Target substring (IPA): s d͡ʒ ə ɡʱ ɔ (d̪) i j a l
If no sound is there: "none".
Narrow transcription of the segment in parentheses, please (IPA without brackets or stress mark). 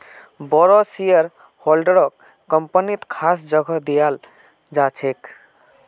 d̪